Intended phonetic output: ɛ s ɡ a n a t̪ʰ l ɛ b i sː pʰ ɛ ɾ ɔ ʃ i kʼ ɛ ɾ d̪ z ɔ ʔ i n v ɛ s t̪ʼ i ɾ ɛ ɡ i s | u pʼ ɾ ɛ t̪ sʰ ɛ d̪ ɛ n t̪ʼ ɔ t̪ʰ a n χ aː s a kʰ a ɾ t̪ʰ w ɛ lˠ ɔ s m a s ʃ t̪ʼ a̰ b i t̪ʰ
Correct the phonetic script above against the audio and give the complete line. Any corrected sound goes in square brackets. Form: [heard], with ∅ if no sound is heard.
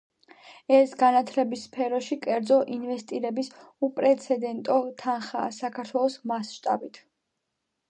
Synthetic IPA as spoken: ɛ s ɡ a n a t̪ʰ l ɛ b i sː pʰ ɛ ɾ ɔ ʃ i kʼ ɛ ɾ d̪ z ɔ ʔ i n v ɛ s t̪ʼ i ɾ ɛ [b] i s | u pʼ ɾ ɛ t̪ sʰ ɛ d̪ ɛ n t̪ʼ ɔ t̪ʰ a n χ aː s a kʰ a ɾ t̪ʰ w ɛ lˠ ɔ s m a s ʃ t̪ʼ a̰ b i t̪ʰ